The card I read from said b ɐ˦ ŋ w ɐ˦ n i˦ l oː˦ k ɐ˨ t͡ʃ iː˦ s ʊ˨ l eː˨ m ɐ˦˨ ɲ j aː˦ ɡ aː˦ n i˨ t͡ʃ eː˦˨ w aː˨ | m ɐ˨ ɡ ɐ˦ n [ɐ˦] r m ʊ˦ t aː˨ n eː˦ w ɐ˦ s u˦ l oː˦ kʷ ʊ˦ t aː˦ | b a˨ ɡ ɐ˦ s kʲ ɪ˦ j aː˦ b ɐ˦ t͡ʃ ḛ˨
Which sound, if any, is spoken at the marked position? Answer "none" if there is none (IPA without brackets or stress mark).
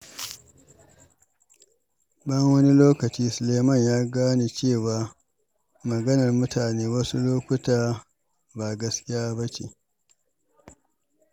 ɐ˨